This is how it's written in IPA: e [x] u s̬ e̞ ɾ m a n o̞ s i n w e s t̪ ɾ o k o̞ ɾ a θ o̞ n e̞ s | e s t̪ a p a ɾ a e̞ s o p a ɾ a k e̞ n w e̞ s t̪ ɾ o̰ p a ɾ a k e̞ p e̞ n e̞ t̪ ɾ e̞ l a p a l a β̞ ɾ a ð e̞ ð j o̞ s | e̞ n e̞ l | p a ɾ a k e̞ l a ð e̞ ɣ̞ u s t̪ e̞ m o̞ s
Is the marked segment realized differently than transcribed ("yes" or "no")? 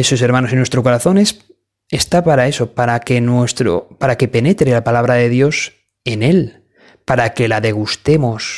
yes